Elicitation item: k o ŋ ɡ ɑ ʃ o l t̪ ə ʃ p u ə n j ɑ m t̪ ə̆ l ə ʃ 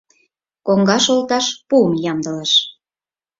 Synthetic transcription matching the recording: k o ŋ ɡ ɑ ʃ o l t̪ ɑ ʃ p u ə m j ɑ m d̪ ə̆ l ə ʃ